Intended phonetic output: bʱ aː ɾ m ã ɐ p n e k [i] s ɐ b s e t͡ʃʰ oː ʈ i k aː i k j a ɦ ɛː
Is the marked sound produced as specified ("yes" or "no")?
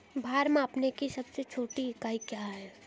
yes